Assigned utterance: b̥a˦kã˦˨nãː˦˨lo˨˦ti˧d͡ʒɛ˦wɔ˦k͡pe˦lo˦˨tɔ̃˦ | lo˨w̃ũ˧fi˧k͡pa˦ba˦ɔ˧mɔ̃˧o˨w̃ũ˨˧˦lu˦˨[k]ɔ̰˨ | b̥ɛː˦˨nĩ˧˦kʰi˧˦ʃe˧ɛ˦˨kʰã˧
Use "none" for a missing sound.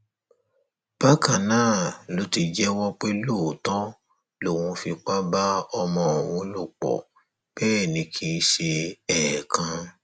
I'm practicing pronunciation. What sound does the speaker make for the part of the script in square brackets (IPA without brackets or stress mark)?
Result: k͡p